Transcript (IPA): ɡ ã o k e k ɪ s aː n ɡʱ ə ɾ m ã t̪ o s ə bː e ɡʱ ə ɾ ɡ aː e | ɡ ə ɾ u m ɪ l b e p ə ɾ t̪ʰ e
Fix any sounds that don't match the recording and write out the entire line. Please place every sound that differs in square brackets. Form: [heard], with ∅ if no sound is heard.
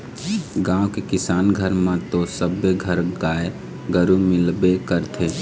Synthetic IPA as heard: ɡ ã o k e k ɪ s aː n ɡʱ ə ɾ m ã t̪ o s ə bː e ɡʱ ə ɾ ɡ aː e | ɡ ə ɾ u m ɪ l b e [k] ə ɾ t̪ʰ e